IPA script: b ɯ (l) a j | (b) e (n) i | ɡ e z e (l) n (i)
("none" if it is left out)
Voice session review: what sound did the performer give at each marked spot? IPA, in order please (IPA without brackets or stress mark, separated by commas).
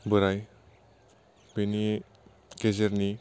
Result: ɾ, b, n, ɾ, i